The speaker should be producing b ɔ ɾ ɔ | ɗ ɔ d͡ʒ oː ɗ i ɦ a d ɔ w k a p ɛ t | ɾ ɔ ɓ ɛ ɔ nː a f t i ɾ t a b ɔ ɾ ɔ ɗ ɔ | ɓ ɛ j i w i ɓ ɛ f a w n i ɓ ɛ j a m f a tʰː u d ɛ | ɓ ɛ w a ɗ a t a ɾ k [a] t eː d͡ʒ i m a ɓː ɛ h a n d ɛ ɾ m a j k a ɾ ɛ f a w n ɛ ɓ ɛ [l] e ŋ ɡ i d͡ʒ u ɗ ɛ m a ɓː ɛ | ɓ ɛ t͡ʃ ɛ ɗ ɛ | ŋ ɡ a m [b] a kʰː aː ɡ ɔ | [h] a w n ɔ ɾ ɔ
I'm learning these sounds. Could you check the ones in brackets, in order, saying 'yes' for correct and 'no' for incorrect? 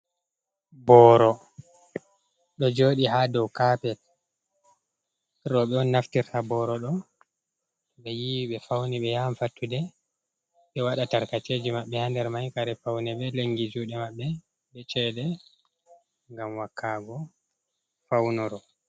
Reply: yes, yes, no, no

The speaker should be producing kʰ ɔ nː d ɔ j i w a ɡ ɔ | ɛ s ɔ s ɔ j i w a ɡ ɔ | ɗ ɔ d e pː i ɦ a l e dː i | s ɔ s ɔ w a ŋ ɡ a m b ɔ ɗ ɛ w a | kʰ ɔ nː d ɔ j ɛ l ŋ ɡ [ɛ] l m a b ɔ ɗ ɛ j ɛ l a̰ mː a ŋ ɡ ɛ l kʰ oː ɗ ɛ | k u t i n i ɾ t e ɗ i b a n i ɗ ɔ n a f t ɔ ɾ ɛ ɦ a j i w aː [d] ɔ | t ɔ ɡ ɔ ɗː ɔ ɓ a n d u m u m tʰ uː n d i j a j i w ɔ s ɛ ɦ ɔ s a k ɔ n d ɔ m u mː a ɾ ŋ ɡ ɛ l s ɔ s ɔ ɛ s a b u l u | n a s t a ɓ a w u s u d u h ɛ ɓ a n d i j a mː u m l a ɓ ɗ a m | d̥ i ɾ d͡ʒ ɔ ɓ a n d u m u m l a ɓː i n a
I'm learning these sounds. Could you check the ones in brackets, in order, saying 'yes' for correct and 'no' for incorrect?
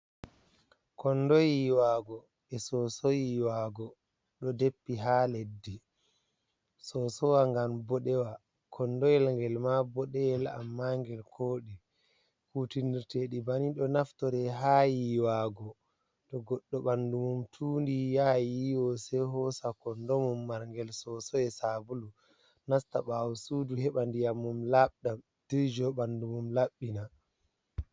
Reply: yes, no

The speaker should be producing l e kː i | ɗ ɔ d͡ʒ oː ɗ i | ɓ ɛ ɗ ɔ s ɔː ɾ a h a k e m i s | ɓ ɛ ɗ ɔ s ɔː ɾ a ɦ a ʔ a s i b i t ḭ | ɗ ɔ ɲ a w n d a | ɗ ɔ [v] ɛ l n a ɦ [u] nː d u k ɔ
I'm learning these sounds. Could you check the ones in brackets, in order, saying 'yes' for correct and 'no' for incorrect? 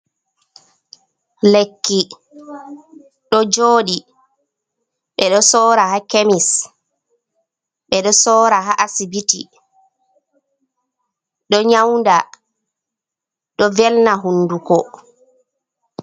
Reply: yes, yes

